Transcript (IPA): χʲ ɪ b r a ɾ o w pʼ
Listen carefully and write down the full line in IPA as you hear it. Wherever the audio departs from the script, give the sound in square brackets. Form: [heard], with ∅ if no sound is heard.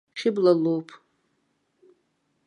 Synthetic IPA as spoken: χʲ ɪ b [l] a [l] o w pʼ